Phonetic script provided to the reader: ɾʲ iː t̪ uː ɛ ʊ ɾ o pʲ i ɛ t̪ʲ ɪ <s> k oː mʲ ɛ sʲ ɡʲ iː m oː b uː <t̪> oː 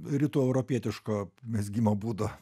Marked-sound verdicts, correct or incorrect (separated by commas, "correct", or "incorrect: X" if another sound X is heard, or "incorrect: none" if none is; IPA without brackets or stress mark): incorrect: ʃ, incorrect: d̪